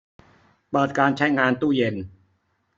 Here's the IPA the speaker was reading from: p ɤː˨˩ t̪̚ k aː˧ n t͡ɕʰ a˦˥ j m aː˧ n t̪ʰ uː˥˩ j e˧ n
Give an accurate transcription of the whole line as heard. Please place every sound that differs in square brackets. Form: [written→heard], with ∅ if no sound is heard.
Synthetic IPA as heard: p ɤː˨˩ t̪̚ k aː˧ n t͡ɕʰ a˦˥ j [m→ŋ] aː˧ n [t̪ʰ→t̪] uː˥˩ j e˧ n